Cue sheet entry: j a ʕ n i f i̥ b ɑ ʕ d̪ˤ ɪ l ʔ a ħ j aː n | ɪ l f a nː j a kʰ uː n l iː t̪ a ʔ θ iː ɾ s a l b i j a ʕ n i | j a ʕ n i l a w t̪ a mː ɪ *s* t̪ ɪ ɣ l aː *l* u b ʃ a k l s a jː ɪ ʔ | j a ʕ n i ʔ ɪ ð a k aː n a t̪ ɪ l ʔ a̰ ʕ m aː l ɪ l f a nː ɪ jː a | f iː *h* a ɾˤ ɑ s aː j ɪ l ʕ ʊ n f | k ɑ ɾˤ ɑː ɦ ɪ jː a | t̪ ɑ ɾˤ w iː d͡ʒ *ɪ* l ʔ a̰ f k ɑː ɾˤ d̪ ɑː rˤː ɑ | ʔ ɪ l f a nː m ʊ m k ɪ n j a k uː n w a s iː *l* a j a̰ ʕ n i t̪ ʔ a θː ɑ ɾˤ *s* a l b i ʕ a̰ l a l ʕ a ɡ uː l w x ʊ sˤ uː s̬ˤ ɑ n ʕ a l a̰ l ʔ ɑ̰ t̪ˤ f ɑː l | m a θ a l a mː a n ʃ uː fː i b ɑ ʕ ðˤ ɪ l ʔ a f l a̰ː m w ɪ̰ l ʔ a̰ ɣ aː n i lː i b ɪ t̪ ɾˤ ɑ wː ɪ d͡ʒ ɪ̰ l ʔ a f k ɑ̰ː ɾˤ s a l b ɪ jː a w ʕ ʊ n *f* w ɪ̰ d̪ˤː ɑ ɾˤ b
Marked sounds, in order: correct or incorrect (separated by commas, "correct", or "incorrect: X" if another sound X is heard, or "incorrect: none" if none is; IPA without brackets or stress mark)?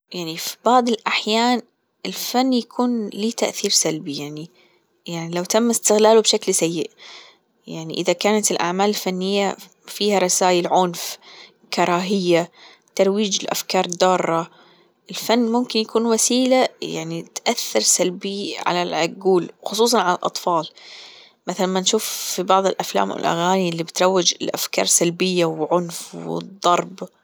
correct, correct, correct, correct, correct, correct, correct